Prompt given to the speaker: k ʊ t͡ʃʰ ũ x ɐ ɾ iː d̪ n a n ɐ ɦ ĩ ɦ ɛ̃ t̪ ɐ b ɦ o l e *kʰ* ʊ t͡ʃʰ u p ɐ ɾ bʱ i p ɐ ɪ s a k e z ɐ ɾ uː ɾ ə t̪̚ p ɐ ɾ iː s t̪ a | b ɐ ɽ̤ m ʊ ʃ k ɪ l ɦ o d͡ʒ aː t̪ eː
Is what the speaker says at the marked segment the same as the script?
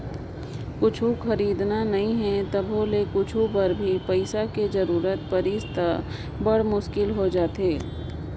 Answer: no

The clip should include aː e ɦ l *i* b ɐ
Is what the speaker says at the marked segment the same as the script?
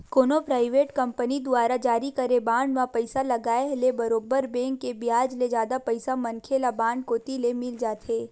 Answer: no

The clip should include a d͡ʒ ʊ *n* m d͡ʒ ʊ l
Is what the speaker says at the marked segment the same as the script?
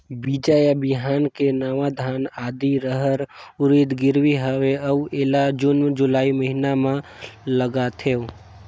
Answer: yes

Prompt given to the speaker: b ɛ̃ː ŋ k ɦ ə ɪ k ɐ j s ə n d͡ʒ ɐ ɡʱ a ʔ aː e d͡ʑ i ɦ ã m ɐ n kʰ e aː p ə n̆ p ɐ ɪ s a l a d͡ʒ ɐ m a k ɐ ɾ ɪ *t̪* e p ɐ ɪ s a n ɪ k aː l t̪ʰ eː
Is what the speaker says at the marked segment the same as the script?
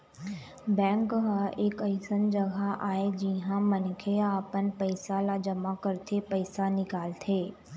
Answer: no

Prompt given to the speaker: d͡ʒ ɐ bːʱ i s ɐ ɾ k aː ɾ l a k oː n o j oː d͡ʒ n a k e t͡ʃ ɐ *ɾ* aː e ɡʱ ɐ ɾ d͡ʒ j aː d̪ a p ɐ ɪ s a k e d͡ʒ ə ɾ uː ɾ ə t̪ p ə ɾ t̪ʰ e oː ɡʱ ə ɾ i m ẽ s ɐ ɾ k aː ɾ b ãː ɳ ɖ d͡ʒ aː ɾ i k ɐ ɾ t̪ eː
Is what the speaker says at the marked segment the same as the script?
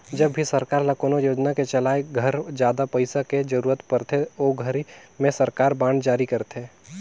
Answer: no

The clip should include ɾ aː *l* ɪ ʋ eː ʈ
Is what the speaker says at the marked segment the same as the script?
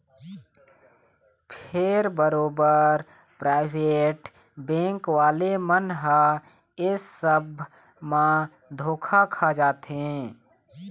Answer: no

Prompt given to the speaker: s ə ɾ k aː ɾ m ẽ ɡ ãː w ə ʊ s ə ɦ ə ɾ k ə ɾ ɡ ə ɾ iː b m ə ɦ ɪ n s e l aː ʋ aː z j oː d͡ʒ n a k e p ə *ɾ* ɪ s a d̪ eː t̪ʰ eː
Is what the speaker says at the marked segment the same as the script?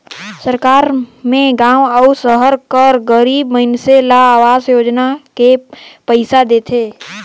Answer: no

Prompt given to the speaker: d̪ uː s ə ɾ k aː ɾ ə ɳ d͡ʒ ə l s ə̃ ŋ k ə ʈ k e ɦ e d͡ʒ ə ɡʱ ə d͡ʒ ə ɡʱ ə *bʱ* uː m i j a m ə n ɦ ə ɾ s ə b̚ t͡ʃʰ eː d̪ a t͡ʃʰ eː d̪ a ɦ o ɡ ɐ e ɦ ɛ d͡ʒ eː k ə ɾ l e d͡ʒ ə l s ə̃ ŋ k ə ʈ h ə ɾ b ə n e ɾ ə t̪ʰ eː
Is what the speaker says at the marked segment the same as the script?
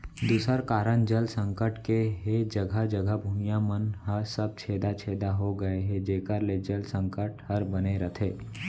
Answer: yes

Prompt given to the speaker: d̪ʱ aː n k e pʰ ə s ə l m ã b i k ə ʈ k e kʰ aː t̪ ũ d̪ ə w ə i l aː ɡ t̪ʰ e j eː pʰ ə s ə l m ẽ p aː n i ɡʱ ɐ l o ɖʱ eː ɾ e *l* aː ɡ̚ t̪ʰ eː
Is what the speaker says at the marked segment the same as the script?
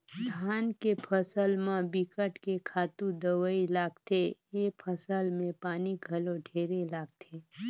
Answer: yes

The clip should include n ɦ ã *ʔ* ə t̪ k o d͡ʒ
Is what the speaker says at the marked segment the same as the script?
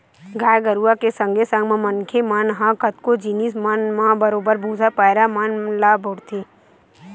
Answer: no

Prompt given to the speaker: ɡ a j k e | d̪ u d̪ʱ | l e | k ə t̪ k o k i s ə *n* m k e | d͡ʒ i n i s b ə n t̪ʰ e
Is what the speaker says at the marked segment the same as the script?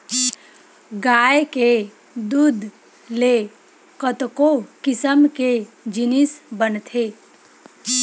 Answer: no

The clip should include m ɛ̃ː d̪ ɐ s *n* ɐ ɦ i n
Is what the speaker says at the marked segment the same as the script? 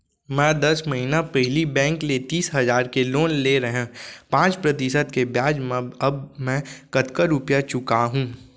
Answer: no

